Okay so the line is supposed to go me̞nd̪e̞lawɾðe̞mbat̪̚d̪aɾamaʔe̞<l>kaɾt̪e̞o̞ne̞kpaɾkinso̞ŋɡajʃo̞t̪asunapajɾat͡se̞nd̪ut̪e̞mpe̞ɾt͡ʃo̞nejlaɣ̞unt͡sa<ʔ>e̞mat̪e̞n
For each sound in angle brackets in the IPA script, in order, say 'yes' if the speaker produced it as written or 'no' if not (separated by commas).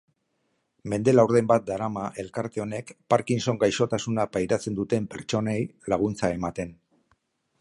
yes, no